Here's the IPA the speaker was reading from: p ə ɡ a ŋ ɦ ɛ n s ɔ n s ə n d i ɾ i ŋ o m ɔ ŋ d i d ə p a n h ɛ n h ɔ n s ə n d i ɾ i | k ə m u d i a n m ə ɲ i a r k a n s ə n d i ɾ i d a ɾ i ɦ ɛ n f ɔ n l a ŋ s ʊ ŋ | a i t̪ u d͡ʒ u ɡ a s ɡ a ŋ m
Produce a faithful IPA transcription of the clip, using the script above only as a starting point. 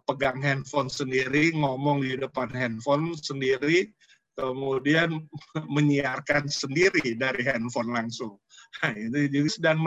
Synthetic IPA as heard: p ə ɡ a ŋ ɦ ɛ n f ɔ n s ə n d i ɾ i ŋ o m ɔ ŋ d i d ə p a n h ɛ n f ɔ n s ə n d i ɾ i | k ə m u d i a n m ə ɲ i a r k a n s ə n d i ɾ i d a ɾ i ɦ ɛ n f ɔ n l a ŋ s ʊ ŋ | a i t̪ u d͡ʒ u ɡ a s d a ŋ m